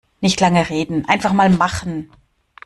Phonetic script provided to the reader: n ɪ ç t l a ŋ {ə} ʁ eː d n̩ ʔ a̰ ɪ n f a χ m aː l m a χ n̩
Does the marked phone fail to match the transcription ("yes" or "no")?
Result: no